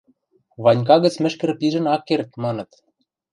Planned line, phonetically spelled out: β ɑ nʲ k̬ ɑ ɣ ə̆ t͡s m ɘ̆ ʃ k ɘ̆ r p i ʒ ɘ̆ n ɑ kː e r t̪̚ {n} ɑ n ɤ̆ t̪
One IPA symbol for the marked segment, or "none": m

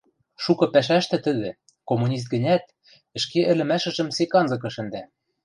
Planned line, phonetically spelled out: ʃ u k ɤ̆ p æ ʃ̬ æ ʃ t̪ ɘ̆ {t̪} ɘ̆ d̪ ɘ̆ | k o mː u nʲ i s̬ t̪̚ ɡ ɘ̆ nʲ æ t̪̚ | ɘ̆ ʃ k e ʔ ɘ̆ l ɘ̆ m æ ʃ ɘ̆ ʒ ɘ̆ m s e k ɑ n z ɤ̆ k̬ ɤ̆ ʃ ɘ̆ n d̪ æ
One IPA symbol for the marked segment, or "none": t̪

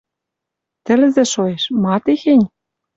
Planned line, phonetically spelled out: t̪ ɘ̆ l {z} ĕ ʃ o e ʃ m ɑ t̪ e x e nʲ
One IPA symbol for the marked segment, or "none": z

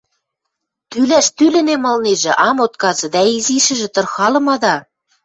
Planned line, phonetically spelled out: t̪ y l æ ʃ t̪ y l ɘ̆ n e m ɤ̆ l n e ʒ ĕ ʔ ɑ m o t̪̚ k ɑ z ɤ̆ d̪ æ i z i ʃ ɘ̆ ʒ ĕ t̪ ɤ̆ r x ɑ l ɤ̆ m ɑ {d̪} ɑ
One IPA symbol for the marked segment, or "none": d̪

